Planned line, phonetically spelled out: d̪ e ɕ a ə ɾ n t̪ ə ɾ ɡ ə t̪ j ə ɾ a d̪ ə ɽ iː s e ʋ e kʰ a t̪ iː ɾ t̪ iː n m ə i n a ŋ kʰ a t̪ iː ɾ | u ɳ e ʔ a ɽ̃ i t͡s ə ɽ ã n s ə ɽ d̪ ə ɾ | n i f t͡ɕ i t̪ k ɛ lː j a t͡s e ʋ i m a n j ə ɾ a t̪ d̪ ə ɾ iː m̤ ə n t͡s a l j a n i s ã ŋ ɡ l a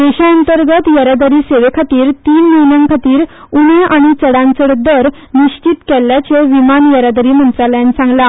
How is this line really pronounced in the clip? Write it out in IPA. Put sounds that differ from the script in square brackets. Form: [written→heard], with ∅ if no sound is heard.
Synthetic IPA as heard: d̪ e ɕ a ə [ɾ→∅] n t̪ ə ɾ ɡ ə t̪ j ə ɾ a d̪ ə [ɽ→ɾ] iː s e ʋ e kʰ a t̪ iː ɾ t̪ iː n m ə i n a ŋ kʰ a t̪ iː ɾ | u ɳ e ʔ a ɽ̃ i t͡s ə ɽ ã n [s→t͡s] ə ɽ d̪ ə ɾ | n i [f→ɕ] t͡ɕ i t̪ k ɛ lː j a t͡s e ʋ i m a n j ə ɾ a [t̪→∅] d̪ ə ɾ iː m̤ ə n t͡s a l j a n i s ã ŋ ɡ l a